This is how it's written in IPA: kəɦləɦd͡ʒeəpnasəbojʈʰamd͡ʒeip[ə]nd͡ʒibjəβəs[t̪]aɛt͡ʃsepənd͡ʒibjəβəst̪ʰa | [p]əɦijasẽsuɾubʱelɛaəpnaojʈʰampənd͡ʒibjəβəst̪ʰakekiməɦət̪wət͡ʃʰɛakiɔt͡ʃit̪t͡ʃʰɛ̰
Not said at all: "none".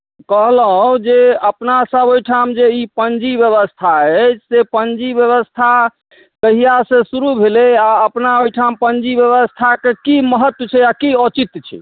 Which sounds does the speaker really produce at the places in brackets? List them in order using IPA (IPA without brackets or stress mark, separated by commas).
ə, t̪ʰ, k